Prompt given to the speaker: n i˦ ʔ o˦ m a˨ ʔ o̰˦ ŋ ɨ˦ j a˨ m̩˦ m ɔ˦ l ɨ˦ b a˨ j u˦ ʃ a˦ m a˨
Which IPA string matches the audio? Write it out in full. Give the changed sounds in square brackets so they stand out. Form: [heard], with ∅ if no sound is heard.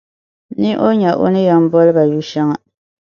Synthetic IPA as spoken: n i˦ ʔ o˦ [ɲ] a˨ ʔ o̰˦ [n] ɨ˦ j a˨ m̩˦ [b] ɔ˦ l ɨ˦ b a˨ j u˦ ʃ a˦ [ŋ] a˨

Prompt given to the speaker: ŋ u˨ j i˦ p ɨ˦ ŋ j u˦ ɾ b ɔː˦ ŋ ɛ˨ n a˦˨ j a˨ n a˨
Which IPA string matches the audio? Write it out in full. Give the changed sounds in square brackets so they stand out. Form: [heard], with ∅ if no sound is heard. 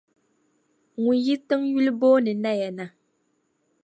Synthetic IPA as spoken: ŋ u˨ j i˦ [t] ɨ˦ ŋ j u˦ [l] b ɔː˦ [n] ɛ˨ n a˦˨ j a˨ n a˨

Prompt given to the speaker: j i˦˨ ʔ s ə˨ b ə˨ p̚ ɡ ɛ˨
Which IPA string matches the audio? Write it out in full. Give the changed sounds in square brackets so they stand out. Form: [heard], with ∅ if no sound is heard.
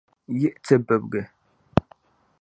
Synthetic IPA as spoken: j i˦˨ ʔ [t͡s] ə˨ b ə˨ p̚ ɡ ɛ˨

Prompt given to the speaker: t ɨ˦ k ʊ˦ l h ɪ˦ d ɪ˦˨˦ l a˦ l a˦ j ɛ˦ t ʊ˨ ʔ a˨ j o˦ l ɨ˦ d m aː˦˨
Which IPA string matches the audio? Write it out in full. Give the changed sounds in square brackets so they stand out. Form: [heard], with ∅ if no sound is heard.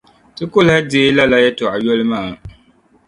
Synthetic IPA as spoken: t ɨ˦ k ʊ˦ l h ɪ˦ d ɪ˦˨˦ l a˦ l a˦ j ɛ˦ t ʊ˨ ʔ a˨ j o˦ l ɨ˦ [∅] m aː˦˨

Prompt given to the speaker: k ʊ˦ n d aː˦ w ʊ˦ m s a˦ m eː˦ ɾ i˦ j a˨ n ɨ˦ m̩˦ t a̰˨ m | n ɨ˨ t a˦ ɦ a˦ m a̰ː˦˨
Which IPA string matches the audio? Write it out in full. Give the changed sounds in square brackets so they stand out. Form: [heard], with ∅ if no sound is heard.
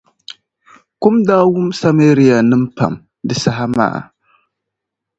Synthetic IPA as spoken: k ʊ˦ [m] d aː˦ w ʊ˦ m s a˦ m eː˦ ɾ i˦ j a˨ n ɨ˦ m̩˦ [p] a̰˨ m | [d] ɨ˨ [s] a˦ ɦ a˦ m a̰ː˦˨

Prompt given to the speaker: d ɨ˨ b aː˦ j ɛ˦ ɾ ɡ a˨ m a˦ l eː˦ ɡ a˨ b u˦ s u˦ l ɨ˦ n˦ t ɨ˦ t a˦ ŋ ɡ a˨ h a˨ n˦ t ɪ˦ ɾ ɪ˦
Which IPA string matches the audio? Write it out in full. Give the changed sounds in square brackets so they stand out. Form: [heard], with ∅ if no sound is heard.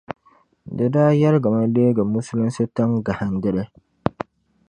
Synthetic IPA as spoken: d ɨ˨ [d] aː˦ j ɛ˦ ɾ ɡ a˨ m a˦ l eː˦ ɡ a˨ [m] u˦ s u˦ l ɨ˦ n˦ [s] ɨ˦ t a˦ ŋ ɡ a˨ h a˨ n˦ [d] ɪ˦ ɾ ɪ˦

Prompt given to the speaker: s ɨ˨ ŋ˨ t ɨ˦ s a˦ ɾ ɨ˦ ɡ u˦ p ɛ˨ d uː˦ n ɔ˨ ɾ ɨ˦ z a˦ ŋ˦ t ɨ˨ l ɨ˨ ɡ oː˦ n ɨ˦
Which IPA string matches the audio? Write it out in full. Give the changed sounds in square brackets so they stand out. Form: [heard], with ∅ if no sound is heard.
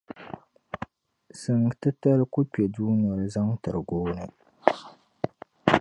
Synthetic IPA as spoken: s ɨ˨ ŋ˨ t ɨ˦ [t] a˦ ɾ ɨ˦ [k] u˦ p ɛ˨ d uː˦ n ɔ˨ ɾ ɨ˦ z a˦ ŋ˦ t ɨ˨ [ɾ] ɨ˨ ɡ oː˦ n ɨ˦

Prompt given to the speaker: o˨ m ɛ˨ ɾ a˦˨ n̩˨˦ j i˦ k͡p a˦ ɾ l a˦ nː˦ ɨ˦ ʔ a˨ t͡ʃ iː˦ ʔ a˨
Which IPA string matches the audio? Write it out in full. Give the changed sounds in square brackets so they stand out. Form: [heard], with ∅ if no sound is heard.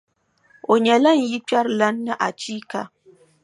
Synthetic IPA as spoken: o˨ [ɲ] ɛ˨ [l] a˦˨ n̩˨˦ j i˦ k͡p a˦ ɾ l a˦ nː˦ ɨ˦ ʔ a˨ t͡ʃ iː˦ [k] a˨

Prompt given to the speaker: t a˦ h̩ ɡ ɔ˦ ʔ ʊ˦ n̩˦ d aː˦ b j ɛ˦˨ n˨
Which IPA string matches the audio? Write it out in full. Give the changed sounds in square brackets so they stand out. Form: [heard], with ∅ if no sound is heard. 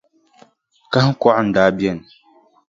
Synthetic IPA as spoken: [k] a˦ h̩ [k] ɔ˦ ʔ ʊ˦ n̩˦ d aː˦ b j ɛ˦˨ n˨

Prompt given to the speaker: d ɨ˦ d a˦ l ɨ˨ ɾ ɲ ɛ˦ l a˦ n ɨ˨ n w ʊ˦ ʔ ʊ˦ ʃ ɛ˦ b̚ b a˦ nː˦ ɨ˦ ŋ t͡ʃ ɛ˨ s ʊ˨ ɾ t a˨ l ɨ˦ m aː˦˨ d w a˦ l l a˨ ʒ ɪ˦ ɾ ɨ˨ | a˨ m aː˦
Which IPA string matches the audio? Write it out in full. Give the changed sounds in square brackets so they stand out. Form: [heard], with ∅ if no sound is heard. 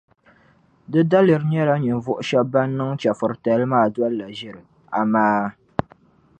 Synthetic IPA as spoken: d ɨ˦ d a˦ l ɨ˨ ɾ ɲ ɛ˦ l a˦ [ɲ] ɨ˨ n [v] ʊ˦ ʔ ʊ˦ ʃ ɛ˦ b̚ b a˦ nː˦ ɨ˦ ŋ t͡ʃ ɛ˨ [f] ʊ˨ ɾ t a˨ l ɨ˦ m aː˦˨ d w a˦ l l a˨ ʒ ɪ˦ ɾ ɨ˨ | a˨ m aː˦

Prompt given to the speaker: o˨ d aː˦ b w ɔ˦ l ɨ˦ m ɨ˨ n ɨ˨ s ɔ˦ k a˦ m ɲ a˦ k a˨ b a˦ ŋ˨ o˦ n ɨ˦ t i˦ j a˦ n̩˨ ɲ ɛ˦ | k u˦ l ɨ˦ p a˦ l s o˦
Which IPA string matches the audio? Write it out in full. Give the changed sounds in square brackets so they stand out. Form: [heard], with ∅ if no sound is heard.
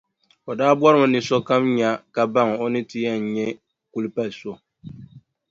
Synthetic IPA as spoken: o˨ d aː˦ b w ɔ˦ [ɾ] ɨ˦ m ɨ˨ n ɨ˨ s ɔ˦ k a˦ m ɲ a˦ k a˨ b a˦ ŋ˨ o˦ n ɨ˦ t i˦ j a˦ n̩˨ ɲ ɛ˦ | k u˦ l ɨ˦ p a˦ l s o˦

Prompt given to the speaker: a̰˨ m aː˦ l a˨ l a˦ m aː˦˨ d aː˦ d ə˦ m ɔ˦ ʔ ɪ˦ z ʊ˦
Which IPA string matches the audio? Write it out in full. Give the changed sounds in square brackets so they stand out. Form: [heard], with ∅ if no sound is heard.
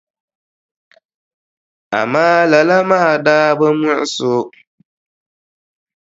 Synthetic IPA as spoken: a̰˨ m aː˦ l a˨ l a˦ m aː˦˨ d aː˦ [b] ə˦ m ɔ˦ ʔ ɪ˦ [s] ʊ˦

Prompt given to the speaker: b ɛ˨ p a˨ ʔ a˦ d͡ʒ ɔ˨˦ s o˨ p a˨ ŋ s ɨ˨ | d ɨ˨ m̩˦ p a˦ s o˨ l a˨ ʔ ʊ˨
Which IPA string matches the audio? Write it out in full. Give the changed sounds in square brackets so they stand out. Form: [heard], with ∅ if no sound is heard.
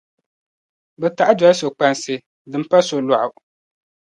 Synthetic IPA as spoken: b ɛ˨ [t] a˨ ʔ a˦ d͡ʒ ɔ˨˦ s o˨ [k͡p] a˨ [n] s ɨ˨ | d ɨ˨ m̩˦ p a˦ s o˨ l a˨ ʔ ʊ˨

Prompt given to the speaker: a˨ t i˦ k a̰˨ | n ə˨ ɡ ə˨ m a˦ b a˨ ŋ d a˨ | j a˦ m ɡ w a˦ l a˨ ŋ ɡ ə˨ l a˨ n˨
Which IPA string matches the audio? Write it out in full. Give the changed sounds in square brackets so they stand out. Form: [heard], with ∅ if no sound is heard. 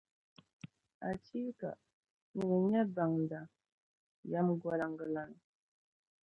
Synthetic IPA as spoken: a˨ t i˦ k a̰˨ | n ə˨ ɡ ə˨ [ɲ] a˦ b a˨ ŋ d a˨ | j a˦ m ɡ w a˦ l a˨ ŋ ɡ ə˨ l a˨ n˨

